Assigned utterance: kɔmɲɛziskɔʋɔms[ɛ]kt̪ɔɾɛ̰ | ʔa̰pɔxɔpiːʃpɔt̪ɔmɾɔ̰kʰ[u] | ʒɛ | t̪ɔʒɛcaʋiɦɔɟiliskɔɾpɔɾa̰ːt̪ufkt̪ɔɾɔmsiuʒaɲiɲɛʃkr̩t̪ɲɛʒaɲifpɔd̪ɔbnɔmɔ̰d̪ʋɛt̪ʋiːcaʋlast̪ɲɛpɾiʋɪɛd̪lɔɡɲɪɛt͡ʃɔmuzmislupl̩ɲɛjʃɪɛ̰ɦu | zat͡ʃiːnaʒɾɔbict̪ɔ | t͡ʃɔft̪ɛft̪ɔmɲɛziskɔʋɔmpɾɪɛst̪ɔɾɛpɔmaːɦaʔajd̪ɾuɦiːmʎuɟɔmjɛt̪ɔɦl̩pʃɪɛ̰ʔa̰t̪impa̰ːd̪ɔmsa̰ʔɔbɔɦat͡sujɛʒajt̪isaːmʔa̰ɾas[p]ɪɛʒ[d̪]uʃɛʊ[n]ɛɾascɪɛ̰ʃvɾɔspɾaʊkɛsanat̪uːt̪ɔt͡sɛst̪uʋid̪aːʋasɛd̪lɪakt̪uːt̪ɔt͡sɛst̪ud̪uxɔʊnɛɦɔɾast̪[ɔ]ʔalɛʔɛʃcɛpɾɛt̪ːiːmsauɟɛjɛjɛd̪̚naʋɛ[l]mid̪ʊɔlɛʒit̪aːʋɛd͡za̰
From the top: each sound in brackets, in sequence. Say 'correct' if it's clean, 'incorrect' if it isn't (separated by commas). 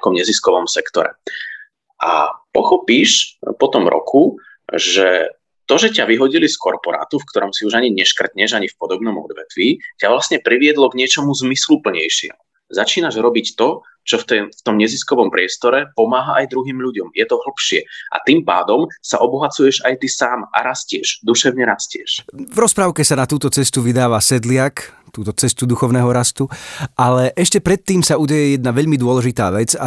correct, correct, incorrect, correct, incorrect, incorrect, incorrect